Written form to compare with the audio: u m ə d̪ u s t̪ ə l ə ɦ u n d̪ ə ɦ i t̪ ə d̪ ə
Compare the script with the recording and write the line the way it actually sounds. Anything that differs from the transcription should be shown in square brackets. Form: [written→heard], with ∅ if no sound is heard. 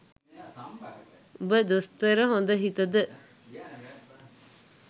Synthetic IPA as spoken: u [m→b] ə d̪ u s t̪ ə [l→ɾ] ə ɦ [u→o] n d̪ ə ɦ i t̪ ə d̪ ə